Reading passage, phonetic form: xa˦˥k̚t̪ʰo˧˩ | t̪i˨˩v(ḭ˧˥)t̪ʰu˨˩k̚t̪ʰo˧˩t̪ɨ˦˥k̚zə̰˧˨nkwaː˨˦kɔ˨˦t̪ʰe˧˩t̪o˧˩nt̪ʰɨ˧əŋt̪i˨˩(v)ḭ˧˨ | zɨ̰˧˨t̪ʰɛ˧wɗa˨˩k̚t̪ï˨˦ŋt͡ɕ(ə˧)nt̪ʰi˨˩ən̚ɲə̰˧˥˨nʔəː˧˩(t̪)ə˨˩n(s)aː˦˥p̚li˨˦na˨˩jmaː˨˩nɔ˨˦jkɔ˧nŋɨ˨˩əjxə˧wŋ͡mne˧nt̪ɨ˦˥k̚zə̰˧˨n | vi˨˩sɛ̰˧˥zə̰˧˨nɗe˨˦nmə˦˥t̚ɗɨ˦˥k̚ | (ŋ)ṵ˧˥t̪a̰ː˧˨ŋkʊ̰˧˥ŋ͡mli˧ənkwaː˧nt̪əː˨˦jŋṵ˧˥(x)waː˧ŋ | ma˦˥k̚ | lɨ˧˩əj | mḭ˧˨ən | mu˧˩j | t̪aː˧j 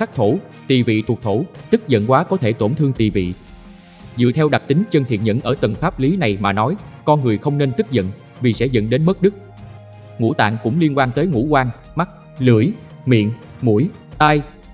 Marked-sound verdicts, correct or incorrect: incorrect: ḭ˧˨, correct, correct, correct, incorrect: f, correct, incorrect: k

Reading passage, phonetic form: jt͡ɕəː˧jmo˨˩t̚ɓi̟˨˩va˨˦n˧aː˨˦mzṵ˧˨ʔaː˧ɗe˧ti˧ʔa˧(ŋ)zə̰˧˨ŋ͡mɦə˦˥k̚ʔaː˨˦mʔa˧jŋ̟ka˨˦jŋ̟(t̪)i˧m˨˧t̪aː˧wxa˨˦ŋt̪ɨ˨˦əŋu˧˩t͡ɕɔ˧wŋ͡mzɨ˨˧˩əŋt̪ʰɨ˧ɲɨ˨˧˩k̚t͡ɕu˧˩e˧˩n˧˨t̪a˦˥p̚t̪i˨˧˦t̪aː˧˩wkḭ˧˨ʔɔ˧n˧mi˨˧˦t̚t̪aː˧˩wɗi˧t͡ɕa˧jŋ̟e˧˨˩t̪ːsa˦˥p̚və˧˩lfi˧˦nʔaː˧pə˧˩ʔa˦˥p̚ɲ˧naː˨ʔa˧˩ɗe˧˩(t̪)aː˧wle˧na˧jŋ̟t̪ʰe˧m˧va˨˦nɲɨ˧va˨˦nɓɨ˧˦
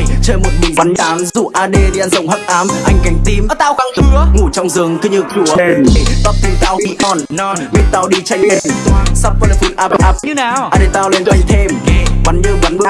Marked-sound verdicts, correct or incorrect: incorrect: n, correct, correct

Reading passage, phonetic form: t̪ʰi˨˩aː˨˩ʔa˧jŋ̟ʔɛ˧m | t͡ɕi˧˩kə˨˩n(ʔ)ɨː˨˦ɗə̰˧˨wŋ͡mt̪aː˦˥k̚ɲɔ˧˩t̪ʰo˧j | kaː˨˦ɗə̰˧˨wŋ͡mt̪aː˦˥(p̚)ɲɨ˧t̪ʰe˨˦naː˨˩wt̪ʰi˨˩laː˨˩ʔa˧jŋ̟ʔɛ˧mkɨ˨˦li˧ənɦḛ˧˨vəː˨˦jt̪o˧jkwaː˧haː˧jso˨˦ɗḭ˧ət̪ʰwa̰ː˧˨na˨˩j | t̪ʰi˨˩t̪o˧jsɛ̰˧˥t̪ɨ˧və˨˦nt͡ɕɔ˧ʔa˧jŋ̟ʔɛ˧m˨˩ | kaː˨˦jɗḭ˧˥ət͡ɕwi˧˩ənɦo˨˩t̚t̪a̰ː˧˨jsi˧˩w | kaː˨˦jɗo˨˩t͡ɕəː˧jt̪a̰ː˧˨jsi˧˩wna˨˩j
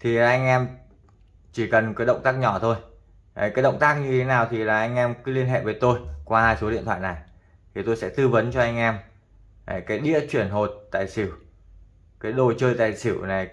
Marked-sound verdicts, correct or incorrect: incorrect: k, incorrect: k̚

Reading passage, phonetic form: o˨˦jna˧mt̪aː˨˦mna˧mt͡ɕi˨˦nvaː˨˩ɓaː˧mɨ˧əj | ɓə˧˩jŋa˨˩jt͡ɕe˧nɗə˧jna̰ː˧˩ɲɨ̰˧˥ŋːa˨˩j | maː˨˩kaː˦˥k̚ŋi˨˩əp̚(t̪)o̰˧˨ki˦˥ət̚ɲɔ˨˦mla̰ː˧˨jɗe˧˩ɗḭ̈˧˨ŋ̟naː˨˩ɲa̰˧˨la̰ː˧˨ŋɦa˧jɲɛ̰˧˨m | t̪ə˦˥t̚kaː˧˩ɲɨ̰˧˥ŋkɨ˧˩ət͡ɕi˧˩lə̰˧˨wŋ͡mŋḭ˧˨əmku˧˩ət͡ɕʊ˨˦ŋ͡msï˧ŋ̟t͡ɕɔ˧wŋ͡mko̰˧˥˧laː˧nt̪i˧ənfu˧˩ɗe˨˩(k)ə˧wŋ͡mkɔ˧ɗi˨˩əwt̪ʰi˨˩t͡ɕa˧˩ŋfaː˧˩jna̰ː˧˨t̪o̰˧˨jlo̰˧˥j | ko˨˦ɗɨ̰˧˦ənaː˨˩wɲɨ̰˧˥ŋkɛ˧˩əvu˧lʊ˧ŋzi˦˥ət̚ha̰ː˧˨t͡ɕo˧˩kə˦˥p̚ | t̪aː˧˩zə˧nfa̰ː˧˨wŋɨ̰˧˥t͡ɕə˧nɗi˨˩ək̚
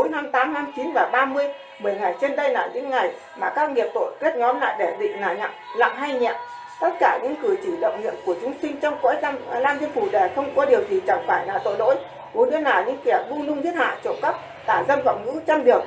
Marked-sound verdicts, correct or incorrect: correct, incorrect: x

